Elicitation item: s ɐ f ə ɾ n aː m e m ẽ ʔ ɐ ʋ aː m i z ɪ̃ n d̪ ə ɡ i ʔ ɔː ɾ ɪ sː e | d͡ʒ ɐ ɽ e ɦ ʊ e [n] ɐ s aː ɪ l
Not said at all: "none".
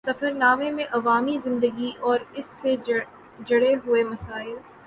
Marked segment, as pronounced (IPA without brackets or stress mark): m